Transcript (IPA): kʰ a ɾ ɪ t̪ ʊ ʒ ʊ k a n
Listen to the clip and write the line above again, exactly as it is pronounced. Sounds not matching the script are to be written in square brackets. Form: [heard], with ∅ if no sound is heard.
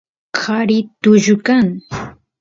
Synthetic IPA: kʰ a ɾ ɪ t̪ ʊ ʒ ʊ k a [ŋ]